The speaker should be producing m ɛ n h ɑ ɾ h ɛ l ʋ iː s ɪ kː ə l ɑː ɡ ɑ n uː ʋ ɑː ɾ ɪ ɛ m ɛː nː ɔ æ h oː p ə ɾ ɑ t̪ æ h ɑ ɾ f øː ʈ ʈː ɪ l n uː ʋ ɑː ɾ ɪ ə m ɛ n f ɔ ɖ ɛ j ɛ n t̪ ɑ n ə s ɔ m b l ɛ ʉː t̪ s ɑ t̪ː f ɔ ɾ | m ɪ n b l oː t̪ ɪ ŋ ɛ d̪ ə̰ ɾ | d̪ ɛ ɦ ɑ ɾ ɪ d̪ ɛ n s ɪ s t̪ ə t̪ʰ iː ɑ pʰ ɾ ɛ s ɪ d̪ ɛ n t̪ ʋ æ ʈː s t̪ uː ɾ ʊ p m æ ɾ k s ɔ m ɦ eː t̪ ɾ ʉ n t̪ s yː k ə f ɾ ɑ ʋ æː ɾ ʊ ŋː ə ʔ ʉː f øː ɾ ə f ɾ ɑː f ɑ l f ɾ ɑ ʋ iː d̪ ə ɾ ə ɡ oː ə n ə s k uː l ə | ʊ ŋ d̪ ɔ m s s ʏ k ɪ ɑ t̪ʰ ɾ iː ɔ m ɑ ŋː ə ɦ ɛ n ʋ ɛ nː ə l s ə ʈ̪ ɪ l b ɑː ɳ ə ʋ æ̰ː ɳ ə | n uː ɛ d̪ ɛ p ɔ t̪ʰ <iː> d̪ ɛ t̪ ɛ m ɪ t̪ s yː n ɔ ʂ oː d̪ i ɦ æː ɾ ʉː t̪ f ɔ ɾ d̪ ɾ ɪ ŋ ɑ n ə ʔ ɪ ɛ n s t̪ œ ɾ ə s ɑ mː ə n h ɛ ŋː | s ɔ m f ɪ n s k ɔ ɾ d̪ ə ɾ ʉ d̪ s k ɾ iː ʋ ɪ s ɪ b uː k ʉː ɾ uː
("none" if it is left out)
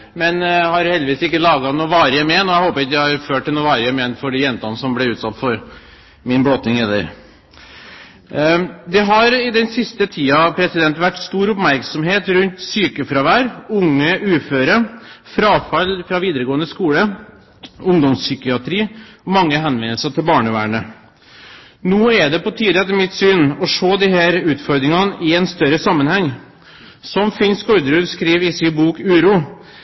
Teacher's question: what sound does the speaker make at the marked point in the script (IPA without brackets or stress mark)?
iː